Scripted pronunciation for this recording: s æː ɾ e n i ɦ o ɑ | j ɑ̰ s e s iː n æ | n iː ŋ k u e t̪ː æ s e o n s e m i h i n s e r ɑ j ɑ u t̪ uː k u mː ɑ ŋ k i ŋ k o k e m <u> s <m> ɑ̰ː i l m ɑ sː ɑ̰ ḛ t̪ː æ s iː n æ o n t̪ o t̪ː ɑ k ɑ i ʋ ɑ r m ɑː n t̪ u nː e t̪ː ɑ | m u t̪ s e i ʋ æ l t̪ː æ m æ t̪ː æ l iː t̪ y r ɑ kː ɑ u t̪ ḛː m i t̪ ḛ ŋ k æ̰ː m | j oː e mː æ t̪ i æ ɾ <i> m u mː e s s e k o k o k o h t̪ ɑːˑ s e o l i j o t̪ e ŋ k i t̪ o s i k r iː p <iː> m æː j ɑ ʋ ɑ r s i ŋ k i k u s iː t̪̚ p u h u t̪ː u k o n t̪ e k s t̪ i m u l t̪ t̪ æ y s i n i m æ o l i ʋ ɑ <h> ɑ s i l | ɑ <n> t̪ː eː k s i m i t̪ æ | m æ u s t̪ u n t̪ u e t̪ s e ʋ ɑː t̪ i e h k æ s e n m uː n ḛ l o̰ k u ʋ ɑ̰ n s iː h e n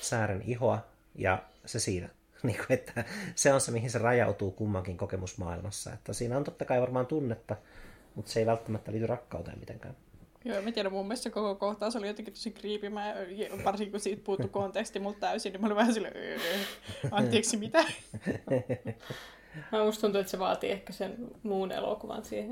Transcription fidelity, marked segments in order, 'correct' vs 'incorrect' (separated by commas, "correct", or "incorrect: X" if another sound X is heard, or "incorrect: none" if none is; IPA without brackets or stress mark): correct, correct, incorrect: æ, incorrect: i, correct, correct